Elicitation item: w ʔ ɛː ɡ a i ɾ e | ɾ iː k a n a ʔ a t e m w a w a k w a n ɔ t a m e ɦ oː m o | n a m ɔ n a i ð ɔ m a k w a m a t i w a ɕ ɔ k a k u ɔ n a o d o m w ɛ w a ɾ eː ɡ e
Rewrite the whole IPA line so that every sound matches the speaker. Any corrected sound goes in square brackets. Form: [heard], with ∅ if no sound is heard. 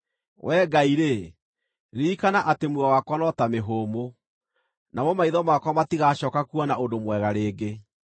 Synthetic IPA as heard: w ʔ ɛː ɡ a i ɾ e | ɾ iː k a n a ʔ a t e m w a w a k w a n ɔ t a m e ɦ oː m o | n a m ɔ [m] a i ð ɔ m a k w a m a t i [ɣ] a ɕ ɔ k a k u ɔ n a o d o m w ɛ [ɣ] a ɾ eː ɡ e